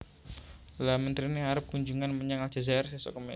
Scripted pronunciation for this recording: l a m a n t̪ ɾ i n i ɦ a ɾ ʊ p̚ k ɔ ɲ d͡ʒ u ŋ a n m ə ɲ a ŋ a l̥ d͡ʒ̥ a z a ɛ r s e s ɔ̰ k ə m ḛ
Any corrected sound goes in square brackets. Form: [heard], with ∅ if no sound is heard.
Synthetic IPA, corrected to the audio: l a m [ə] n t̪ ɾ i n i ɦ a ɾ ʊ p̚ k [u] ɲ d͡ʒ u ŋ a n m ə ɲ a ŋ a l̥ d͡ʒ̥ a z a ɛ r s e s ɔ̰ k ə m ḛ